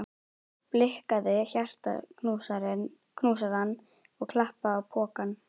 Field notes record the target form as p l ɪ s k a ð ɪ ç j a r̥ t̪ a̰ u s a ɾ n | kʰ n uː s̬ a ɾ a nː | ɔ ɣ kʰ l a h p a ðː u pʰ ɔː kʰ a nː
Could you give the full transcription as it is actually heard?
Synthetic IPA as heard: p l ɪ h k a ð ɪ ç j a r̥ t̪ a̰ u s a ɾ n | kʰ n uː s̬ a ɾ a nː | ɔ ɣ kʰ l a h p a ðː w pʰ ɔː k a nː

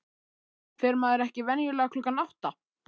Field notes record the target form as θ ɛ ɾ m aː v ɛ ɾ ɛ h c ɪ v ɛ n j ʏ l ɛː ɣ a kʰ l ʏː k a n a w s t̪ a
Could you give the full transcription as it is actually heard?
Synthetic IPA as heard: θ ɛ ɾ m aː ð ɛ ɾ ɛ h c ɪ v ɛ n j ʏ l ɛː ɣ a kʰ l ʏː k a n a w h t̪ a

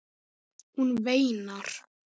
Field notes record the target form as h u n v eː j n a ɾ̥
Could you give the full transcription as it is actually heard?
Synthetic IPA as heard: h u n v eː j n a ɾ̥

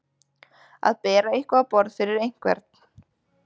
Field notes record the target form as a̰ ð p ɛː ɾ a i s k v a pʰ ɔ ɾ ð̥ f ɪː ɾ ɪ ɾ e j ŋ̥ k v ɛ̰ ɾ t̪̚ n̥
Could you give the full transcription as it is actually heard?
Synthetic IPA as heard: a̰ ð p ɛː ɾ a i h k v a p ɔ ɾ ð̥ f ɪ ɾ ɪ ɾ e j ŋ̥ k v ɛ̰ ɾ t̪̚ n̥

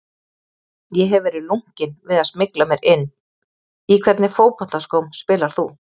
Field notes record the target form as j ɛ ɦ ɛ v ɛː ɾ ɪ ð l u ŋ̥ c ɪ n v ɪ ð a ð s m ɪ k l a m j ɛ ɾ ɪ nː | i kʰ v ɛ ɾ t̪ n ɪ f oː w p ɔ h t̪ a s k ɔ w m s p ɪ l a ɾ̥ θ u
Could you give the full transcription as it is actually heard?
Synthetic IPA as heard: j ɛ ɦ ɛ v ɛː ɾ ɪ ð l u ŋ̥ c ɪ n v ɪ ð a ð s m ɪ k l a m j ɛ ɾ ɪ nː | i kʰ v ɛ ɾ t̪ n ɪ f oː w p ɔ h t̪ a s k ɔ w m s p ɪː l a ɾ̥ θ u

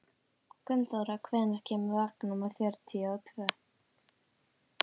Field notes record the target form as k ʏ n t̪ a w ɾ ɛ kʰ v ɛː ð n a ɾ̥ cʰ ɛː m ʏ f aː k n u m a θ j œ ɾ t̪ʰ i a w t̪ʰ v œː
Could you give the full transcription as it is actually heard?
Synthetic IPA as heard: k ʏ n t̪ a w ɾ a kʰ v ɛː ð n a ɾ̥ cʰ ɛː m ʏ v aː k n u m a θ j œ ɾ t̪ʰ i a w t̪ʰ v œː

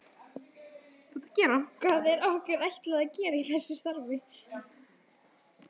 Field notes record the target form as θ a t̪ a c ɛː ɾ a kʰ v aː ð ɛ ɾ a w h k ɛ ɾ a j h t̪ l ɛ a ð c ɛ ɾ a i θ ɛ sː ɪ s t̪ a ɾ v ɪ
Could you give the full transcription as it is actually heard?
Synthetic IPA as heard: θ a t̪ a c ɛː ɾ a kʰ v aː ð ɛ ɾ a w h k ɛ ɾ a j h t̪ l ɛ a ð c ɛː ɾ a i θ ɛ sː ɪ s t̪ a ɾ v ɪ

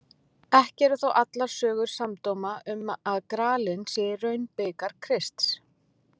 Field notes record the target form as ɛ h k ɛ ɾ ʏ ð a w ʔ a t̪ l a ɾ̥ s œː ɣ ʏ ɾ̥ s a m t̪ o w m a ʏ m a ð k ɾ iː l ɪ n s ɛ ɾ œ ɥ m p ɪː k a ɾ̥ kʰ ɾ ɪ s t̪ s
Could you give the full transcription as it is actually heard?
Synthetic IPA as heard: ɛ h c ɛ ɾ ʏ θ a w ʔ a t̪ l a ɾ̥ s œː ɣ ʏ ɾ̥ s a m t̪ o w m a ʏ m a ð k ɾ aː l ɪ n s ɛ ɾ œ ɥ n p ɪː k a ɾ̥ kʰ ɾ ɪ s t̪ s

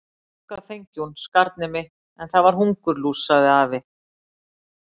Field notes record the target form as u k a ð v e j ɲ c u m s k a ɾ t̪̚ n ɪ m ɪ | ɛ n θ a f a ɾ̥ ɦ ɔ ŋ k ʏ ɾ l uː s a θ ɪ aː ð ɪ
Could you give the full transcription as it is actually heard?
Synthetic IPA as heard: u k a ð f e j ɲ c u n s k a ɾ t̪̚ n ɪ m ɪ | ɛ n θ a v a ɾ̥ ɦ u ŋ k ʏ ɾ l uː s a ð ɪ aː v ɪ

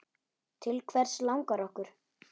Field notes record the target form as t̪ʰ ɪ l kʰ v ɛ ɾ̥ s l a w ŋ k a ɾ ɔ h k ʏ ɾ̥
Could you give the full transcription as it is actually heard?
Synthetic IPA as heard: t̪ʰ ɪ l kʰ v ɛ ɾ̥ s l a w ŋ k a ɾ ɔ h k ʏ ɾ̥

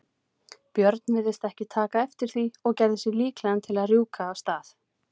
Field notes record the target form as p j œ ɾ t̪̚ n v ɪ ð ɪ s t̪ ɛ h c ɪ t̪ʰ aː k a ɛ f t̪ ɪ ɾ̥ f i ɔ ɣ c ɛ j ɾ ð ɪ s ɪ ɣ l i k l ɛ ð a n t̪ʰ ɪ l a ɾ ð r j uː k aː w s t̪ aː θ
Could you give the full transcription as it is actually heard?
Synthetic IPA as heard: p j œ ɾ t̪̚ n v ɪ ð ɪ s t̪ ɛ h c ɪ t̪ʰ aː k a ɛ f t̪ ɪ ɾ̥ θ i ɔ ɣ c ɛ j ɾ ð ɪ s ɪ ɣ l iː k l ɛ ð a n t̪ʰ ɪ l a ð r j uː k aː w s t̪ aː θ

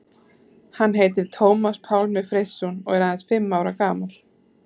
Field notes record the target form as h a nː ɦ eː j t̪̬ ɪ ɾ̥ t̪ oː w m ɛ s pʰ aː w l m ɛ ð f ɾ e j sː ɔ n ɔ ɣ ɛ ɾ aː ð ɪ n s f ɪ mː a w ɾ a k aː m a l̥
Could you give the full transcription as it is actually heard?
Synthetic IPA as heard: h a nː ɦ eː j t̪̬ ɪ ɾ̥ t̪ʰ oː w m a s pʰ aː w l m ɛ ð f ɾ e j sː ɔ n ɔ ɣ ɛ ɾ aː ð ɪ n s f ɪ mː a w ɾ a k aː m a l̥

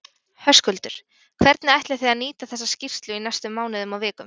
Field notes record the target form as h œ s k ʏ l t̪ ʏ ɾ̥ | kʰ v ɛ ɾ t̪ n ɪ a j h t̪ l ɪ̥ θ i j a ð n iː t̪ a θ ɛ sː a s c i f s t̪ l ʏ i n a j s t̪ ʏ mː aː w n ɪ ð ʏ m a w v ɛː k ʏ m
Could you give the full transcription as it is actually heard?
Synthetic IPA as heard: h œ s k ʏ l t̪ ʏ ɾ̥ | kʰ v ɛ ɾ t̪ n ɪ a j h t̪ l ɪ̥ θ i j a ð n iː t̪ a θ ɛ sː a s c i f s t̪ l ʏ i n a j s t̪ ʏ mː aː w n ɪ ð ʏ m a w v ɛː k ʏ m

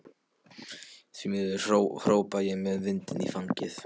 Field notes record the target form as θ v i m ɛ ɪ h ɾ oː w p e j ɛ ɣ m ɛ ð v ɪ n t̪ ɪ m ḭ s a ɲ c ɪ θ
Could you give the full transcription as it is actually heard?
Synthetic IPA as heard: θ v i m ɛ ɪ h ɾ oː w p a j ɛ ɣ m ɛ ð v ɪ n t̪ ɪ n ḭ f a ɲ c ɪ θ

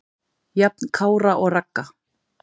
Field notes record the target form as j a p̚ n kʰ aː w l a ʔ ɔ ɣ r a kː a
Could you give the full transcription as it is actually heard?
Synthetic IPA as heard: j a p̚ n kʰ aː w ɾ a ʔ ɔ ɣ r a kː a

